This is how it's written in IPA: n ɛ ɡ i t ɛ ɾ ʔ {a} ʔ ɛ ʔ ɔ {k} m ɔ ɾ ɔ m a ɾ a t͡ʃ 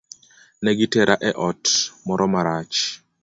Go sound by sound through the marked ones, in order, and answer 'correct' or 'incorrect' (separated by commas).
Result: correct, incorrect